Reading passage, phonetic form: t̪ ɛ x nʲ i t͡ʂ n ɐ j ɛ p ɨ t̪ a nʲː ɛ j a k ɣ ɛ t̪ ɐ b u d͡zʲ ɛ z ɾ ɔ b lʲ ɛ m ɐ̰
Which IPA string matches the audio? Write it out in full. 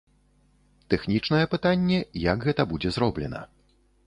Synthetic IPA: t̪ ɛ x nʲ i t͡ʂ n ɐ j ɛ p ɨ t̪ a nʲː ɛ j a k ɣ ɛ t̪ ɐ b u d͡zʲ ɛ z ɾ ɔ b lʲ ɛ n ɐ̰